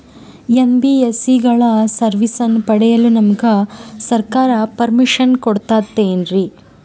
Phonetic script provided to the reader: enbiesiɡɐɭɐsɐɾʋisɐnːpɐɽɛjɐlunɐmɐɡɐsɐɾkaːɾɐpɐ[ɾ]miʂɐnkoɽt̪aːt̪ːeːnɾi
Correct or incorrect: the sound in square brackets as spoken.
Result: correct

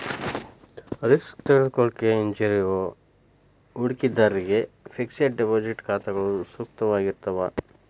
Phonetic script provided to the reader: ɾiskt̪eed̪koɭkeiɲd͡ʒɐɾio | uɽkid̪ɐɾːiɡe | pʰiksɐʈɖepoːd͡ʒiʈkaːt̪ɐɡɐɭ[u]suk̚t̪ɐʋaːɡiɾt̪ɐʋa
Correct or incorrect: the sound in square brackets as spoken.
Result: correct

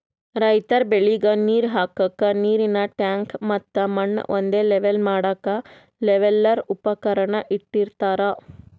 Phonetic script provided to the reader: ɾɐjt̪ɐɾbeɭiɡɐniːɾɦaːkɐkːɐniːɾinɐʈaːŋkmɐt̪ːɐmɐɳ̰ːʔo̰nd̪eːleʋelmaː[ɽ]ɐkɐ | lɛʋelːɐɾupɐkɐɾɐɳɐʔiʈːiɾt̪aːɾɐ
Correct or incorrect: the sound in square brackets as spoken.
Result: correct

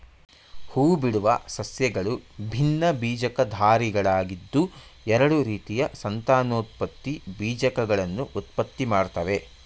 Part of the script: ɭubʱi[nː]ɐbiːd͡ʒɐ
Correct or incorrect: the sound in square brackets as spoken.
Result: correct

